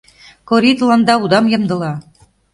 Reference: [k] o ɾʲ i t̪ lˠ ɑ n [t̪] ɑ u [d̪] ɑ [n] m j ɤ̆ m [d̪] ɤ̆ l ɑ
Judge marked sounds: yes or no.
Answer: yes, no, yes, no, yes

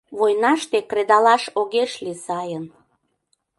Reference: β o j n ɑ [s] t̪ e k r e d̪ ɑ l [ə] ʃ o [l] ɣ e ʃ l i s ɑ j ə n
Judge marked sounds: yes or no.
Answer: no, no, no

